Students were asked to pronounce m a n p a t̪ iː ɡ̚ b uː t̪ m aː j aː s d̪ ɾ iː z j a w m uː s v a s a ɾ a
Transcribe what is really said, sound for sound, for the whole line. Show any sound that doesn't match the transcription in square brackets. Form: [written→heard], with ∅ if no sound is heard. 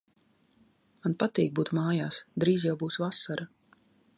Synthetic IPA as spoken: m a n p a t̪ iː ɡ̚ b uː t̪ m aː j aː s d̪ ɾ iː z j a w [m→b] uː s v a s a ɾ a